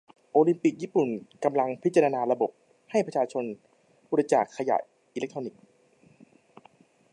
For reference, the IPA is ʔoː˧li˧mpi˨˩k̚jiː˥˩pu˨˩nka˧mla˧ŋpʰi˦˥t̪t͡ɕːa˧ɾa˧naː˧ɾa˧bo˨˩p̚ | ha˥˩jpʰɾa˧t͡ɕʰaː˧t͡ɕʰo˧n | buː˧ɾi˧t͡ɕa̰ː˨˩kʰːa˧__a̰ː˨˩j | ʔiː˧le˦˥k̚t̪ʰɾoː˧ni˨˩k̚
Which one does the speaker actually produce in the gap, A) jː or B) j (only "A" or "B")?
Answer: B